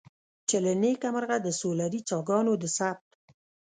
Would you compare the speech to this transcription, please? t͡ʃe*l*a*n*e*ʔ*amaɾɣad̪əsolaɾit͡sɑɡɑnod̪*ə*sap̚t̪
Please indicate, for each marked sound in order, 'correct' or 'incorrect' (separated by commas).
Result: correct, correct, incorrect, correct